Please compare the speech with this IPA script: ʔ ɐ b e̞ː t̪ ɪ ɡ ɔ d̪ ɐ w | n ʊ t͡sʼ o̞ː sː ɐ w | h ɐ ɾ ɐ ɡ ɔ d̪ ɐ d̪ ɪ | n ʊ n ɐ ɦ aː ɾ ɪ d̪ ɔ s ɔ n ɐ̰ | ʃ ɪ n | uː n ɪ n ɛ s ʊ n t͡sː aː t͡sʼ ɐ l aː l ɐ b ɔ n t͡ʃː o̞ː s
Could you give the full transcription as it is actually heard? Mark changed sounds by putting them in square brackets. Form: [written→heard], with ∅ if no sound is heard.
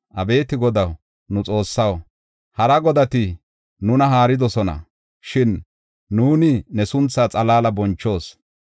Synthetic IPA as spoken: ʔ ɐ b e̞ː t̪ ɪ ɡ ɔ d̪ ɐ w | n ʊ t͡sʼ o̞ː sː ɐ w | h ɐ ɾ ɐ ɡ ɔ d̪ ɐ [d̪→t̪] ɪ | n ʊ n ɐ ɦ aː ɾ ɪ d̪ ɔ s ɔ n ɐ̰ | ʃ ɪ [n→nː] | uː n ɪ n ɛ s ʊ n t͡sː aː t͡sʼ ɐ l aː l ɐ b ɔ n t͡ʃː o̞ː s

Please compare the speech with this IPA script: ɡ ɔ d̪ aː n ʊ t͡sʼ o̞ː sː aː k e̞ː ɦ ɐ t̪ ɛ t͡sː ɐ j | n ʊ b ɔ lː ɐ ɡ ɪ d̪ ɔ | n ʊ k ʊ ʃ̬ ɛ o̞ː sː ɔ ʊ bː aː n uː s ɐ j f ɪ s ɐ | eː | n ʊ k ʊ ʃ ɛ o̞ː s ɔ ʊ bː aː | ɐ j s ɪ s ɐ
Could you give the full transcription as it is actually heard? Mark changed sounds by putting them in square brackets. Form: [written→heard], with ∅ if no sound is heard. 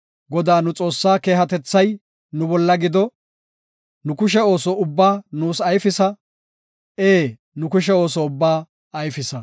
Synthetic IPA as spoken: ɡ ɔ d̪ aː n ʊ t͡sʼ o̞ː sː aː k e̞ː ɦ ɐ t̪ ɛ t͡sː ɐ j | n ʊ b ɔ lː ɐ ɡ ɪ d̪ ɔ | n ʊ k ʊ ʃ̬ ɛ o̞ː [sː→s] ɔ ʊ bː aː n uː s ɐ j f ɪ s ɐ | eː | n ʊ k ʊ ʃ ɛ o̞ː s ɔ ʊ bː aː | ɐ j [s→f] ɪ s ɐ

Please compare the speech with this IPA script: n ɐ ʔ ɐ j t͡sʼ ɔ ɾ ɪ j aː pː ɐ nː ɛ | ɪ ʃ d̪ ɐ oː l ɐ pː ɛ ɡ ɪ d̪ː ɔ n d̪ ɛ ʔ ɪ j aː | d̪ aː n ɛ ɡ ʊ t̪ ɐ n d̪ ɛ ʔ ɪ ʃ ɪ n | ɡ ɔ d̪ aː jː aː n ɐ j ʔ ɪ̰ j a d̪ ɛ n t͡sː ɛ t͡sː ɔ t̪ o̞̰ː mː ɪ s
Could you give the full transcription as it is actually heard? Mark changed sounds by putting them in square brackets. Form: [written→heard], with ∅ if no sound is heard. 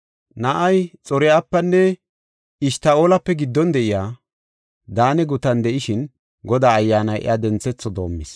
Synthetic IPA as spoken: n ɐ ʔ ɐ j t͡sʼ ɔ ɾ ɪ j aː pː ɐ nː ɛ | ɪ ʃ [d̪→t̪] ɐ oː l ɐ pː ɛ ɡ ɪ d̪ː ɔ n d̪ ɛ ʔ ɪ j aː | d̪ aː n ɛ ɡ ʊ t̪ ɐ n d̪ ɛ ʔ ɪ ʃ ɪ n | ɡ ɔ d̪ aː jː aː n ɐ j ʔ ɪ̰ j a d̪ ɛ n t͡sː ɛ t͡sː ɔ [t̪→d̪] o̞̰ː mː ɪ s

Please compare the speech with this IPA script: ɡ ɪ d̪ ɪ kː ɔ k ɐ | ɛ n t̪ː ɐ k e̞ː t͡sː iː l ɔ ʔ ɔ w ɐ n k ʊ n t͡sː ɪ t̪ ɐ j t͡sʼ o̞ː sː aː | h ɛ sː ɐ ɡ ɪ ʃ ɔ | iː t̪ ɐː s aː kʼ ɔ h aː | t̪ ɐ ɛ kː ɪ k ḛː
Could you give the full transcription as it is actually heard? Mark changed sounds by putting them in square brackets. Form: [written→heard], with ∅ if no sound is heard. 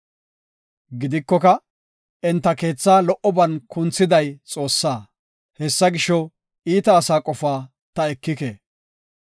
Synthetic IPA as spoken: ɡ ɪ d̪ ɪ kː ɔ k ɐ | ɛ n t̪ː ɐ k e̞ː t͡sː [iː→aː] l ɔ ʔ ɔ [w→b] ɐ n k ʊ n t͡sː ɪ [t̪→d̪] ɐ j t͡sʼ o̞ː sː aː | h ɛ sː ɐ ɡ ɪ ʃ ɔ | iː t̪ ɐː s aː kʼ ɔ [h→f] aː | t̪ ɐ ɛ kː ɪ k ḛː

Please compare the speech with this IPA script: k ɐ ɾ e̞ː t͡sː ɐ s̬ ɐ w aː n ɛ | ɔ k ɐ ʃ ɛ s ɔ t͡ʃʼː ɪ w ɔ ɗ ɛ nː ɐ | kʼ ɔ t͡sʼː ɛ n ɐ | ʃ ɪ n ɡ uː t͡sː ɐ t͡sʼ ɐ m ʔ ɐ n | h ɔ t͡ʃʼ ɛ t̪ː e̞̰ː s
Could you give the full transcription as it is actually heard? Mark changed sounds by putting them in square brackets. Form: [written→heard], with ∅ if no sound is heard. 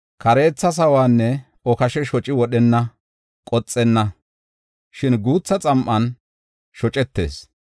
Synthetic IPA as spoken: k ɐ ɾ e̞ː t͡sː ɐ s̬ ɐ w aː [n→nː] ɛ | ɔ k ɐ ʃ ɛ [s→ʃ] ɔ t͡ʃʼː ɪ w ɔ ɗ ɛ nː ɐ | kʼ ɔ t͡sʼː ɛ [n→nː] ɐ | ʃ ɪ n ɡ uː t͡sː ɐ t͡sʼ ɐ m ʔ ɐ n | [h→ʃ] ɔ t͡ʃʼ ɛ t̪ː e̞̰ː s

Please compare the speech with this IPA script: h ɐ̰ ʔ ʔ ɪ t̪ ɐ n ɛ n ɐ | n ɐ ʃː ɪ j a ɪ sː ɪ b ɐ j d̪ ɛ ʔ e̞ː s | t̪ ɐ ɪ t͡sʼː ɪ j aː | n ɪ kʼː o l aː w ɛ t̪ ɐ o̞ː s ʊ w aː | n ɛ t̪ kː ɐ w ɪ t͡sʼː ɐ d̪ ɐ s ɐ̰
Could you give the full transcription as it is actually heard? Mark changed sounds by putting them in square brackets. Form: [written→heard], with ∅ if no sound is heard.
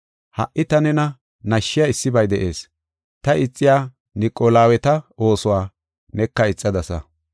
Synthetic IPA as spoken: h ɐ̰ ʔ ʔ ɪ t̪ ɐ n ɛ n ɐ | n ɐ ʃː ɪ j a ɪ sː ɪ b ɐ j d̪ ɛ ʔ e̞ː s | t̪ ɐ ɪ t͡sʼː ɪ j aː | n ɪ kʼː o l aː w ɛ t̪ ɐ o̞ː s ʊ w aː | n ɛ [t̪→∅] kː ɐ [w→∅] ɪ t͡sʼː ɐ d̪ ɐ s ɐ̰

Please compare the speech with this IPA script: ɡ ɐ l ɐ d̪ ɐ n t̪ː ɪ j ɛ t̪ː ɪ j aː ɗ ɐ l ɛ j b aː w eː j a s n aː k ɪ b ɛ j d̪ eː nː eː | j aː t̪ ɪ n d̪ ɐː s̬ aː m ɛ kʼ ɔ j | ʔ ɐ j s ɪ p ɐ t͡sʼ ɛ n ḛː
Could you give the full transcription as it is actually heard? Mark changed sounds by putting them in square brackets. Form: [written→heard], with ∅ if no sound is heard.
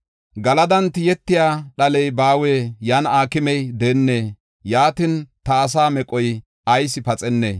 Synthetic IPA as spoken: ɡ ɐ l ɐ d̪ ɐ n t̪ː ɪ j ɛ t̪ː ɪ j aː ɗ ɐ l ɛ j b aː w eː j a [s→∅] n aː k ɪ [b→m] ɛ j d̪ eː nː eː | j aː t̪ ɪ n [d̪→t̪] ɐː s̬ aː m ɛ kʼ ɔ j | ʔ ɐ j s ɪ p ɐ t͡sʼ ɛ [n→nː] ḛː

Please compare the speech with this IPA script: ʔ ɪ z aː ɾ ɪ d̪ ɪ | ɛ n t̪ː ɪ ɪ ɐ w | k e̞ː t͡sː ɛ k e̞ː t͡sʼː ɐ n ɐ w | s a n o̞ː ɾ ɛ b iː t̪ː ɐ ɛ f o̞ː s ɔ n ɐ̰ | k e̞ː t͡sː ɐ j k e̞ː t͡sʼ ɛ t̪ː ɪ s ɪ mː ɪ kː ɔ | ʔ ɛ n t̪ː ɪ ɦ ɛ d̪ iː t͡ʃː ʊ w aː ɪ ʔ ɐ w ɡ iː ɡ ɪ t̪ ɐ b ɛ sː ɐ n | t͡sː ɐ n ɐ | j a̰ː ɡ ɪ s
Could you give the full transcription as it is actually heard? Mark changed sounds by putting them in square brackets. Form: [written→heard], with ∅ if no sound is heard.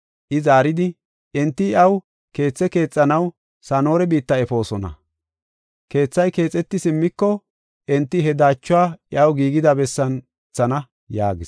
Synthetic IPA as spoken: ʔ ɪ z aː ɾ ɪ d̪ ɪ | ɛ n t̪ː ɪ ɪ ɐ w | k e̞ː t͡sː ɛ k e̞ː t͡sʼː ɐ n ɐ w | s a n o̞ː ɾ ɛ b iː t̪ː ɐ ɛ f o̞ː s ɔ n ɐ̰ | k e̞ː t͡sː ɐ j k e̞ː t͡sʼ ɛ t̪ː ɪ s ɪ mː ɪ kː ɔ | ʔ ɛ n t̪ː ɪ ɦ ɛ d̪ [iː→aː] t͡ʃː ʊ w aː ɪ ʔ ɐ w ɡ iː ɡ ɪ [t̪→d̪] ɐ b ɛ sː ɐ n | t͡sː ɐ n ɐ | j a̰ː ɡ ɪ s

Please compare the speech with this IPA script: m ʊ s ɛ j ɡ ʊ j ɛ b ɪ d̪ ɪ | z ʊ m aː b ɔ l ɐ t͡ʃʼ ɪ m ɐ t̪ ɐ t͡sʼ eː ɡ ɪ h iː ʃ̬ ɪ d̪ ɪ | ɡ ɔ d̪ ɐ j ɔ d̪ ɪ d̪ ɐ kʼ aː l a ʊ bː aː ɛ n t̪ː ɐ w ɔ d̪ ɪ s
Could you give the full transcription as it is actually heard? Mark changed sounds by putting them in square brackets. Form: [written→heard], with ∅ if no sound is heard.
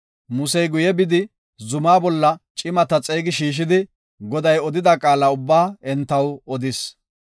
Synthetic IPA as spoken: m ʊ s ɛ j ɡ ʊ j ɛ b ɪ d̪ ɪ | z ʊ m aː b ɔ [l→lː] ɐ t͡ʃʼ ɪ m ɐ t̪ ɐ t͡sʼ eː ɡ ɪ [h→ʃ] iː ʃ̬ ɪ d̪ ɪ | ɡ ɔ d̪ ɐ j ɔ d̪ ɪ d̪ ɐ kʼ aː l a ʊ bː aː ɛ n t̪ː ɐ w ɔ d̪ ɪ s

